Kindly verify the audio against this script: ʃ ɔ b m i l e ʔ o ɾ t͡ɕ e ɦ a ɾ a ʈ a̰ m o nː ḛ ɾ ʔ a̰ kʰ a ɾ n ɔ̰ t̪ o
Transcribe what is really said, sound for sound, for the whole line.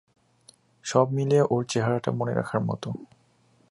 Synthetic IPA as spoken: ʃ ɔ b m i l e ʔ o ɾ t͡ɕ e ɦ a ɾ a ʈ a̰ m o n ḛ ɾ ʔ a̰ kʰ a ɾ m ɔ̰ t̪ o